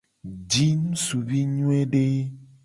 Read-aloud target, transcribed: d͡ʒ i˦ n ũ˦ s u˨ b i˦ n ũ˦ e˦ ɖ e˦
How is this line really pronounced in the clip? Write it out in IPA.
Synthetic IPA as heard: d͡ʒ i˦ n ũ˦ s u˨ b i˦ ɲ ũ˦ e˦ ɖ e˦